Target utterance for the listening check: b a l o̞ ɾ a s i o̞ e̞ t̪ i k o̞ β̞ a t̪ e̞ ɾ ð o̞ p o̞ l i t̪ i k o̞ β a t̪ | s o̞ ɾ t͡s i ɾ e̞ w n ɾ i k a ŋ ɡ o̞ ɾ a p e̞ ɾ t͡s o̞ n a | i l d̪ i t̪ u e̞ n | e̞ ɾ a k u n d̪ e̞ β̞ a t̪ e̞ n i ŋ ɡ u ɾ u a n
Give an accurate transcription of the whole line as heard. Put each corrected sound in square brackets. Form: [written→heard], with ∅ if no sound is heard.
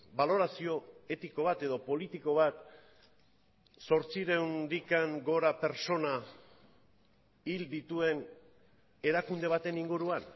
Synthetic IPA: b a l o̞ ɾ a s i o̞ e̞ t̪ i k o̞ β̞ a t̪ e̞ [ɾ→∅] ð o̞ p o̞ l i t̪ i k o̞ β a t̪ | s o̞ ɾ t͡s i ɾ e̞ w n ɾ i k a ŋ ɡ o̞ ɾ a p e̞ ɾ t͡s o̞ n a | i l d̪ i t̪ u e̞ n | e̞ ɾ a k u n d̪ e̞ β̞ a t̪ e̞ n i ŋ ɡ u ɾ u a n